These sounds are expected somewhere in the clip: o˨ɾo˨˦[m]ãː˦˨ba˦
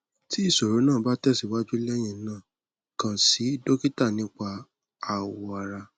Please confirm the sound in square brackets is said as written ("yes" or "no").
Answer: no